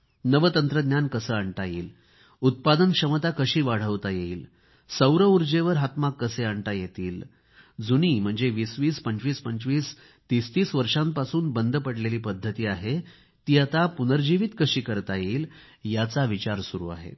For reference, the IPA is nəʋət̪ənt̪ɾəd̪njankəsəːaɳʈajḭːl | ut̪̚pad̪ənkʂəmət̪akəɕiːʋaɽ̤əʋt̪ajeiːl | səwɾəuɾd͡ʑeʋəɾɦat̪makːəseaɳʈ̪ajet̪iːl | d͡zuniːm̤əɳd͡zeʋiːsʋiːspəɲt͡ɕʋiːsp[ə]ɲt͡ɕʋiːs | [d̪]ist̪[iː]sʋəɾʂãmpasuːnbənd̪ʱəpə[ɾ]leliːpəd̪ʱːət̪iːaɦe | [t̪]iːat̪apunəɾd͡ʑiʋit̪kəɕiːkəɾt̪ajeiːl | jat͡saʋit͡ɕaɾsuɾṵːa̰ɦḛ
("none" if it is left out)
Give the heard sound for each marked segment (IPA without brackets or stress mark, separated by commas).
ə, t̪, iː, ɽ, t̪